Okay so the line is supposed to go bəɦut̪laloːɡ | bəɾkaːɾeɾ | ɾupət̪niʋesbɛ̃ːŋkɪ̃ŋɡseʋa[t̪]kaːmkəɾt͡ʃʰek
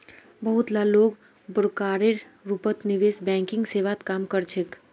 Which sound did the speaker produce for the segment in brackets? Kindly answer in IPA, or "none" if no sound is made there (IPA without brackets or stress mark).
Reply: t̪